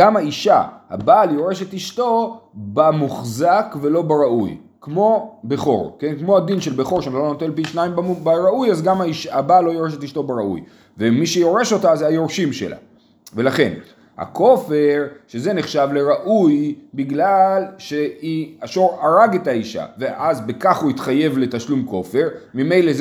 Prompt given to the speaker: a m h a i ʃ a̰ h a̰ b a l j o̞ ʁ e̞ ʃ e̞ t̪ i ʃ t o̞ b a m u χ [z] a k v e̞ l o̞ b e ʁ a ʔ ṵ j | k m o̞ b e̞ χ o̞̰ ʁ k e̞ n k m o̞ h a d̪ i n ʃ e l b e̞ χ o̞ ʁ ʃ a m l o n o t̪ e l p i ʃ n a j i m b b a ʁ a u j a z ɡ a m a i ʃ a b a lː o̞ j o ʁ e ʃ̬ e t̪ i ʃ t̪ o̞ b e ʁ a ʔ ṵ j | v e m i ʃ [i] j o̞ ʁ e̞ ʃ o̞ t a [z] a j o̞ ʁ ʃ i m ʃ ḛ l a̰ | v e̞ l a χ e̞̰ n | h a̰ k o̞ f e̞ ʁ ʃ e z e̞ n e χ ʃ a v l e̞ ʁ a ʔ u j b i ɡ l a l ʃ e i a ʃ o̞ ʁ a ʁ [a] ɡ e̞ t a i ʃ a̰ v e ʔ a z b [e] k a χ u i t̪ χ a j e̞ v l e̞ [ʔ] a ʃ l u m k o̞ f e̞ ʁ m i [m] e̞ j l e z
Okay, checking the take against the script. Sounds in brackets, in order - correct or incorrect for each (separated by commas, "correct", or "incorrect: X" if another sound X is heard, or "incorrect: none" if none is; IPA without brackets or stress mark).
correct, incorrect: e, correct, correct, correct, incorrect: t, correct